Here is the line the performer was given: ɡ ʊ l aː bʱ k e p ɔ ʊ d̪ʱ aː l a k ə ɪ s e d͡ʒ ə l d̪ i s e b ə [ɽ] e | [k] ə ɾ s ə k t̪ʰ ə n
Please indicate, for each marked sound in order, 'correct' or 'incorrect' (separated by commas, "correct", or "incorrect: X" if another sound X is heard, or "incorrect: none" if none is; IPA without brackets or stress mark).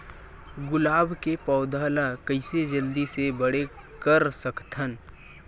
correct, correct